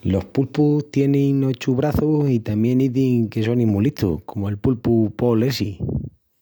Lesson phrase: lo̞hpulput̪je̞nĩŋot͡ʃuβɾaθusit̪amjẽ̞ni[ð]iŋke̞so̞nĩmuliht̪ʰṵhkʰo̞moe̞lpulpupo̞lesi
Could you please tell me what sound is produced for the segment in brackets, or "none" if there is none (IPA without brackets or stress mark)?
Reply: ð